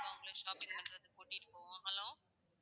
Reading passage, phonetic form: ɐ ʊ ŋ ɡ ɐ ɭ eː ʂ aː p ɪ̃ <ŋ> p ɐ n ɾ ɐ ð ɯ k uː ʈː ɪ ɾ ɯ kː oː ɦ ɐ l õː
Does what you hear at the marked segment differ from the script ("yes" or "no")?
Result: no